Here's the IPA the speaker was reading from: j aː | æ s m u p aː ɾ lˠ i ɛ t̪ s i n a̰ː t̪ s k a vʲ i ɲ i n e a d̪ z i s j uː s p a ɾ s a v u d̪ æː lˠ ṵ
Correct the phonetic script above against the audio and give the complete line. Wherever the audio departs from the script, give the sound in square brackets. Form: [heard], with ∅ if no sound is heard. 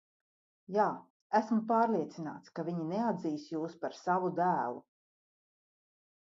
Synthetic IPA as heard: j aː | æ s m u p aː ɾ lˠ i ɛ t̪ s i n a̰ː t̪ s k a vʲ i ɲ i n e a d̪ z [iː] s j uː s p a ɾ s a v u d̪ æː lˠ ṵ